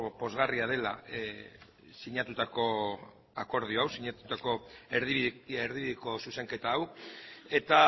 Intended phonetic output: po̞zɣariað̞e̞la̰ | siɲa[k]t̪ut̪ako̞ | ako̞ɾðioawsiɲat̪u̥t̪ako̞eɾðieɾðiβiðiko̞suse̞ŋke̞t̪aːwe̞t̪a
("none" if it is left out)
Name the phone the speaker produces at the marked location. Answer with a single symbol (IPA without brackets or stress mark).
none